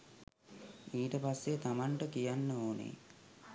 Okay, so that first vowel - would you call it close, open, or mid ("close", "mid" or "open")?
close